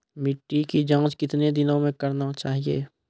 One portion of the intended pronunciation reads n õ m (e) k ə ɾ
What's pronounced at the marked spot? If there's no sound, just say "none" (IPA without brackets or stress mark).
ẽ